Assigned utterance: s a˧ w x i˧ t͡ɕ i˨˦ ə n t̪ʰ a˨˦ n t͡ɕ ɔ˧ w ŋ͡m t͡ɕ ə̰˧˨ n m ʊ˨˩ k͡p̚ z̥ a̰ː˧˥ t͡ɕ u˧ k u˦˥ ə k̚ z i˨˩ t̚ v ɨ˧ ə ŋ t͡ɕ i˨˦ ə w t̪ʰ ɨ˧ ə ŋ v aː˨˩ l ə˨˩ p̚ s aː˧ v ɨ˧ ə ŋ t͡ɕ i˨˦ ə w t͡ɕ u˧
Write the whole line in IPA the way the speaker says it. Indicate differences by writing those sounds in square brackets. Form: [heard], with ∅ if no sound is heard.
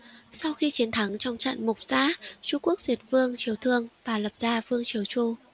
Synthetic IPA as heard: s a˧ w x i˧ t͡ɕ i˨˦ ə n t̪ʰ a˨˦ [ŋ] t͡ɕ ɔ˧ w ŋ͡m t͡ɕ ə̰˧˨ n m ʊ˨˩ k͡p̚ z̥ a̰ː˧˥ t͡ɕ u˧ k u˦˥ ə k̚ z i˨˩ t̚ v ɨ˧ ə ŋ t͡ɕ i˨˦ ə w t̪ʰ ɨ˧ ə ŋ v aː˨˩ l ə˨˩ p̚ [z] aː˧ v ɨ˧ ə ŋ t͡ɕ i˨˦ ə w t͡ɕ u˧